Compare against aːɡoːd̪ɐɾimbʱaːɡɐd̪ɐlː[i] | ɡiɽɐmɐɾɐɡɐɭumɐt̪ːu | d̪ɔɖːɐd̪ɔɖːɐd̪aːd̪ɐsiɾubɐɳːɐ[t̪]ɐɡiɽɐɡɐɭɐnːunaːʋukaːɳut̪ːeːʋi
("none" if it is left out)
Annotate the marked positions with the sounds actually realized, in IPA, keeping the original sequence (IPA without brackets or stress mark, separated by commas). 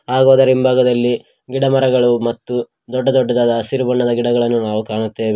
i, d̪